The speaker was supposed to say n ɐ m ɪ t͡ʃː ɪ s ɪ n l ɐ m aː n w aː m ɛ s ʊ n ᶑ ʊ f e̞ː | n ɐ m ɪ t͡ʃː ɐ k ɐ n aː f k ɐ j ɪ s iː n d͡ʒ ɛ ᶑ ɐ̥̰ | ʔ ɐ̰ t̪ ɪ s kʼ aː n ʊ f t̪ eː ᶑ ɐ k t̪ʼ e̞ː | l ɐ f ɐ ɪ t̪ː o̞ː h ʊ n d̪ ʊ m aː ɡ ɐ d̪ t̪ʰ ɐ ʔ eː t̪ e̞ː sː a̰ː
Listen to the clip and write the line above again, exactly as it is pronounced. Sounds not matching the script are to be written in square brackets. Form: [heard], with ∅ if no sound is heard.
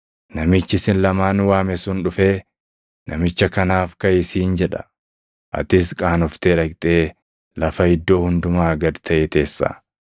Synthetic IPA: n ɐ m ɪ t͡ʃː ɪ s ɪ n l ɐ m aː n w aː m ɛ s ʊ n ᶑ ʊ f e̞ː | n ɐ m ɪ t͡ʃː ɐ k ɐ n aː f k ɐ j ɪ s iː n d͡ʒ ɛ ᶑ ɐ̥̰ | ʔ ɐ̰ t̪ ɪ s kʼ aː n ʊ f t̪ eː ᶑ ɐ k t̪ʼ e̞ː | l ɐ f ɐ ɪ [d̪ː] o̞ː h ʊ n d̪ ʊ m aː ɡ ɐ d̪ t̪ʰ ɐ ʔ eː t̪ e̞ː sː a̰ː